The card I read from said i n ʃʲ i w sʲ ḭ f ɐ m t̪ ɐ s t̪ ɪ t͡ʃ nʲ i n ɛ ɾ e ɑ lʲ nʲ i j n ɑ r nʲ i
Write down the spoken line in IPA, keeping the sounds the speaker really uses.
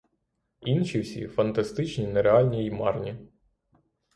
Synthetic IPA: i n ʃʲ i w sʲ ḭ f ɐ n t̪ ɐ s t̪ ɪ t͡ʃ nʲ i n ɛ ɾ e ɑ lʲ nʲ i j m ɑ r nʲ i